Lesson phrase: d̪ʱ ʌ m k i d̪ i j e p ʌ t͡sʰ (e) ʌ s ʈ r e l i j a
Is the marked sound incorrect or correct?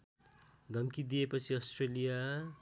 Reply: incorrect